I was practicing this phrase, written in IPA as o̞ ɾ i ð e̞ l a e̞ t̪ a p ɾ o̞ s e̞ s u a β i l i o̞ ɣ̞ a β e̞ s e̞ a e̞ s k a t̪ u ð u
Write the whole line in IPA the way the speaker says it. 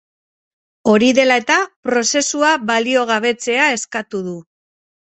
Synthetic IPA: o̞ ɾ i ð e̞ l a e̞ t̪ a p ɾ o̞ s e̞ s u a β a l i o̞ ɣ̞ a β e̞ t͡s e̞ a e̞ s k a t̪ u ð u